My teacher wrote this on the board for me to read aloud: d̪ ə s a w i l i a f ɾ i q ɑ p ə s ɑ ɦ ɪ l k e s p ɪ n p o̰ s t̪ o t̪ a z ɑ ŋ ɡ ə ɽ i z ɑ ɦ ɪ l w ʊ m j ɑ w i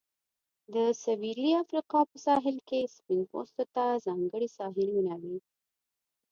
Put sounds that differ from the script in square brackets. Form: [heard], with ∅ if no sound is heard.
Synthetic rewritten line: d̪ ə s a w i l i a f ɾ i q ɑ p ə s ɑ ɦ ɪ l k e s p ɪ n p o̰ s t̪ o t̪ a z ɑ ŋ ɡ ə ɽ i [s] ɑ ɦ ɪ l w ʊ [n] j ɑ w i